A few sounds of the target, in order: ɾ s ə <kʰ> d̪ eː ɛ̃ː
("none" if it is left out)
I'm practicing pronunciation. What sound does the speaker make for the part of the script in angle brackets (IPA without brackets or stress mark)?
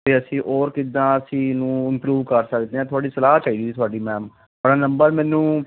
k